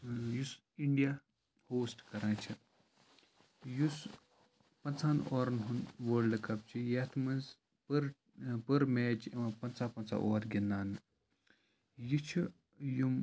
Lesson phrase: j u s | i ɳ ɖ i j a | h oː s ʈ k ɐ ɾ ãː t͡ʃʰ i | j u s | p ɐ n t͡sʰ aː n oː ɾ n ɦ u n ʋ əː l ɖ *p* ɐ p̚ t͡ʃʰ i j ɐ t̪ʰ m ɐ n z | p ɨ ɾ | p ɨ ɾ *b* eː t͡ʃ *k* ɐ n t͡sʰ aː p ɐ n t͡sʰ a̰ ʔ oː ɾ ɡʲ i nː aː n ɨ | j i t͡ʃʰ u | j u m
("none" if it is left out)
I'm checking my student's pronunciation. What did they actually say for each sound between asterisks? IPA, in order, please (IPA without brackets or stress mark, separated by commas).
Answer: k, m, p